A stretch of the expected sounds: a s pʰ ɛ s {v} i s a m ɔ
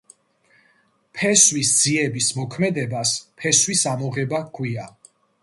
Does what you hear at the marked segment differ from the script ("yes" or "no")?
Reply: yes